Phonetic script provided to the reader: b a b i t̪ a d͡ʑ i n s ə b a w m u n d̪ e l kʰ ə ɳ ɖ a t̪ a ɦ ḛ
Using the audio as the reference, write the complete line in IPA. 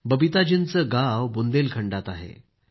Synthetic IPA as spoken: b ə b i t̪ a d͡ʑ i n t͡s ə ɡ a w b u n d̪ e l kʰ ə ɳ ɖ a t̪ a ɦ ḛ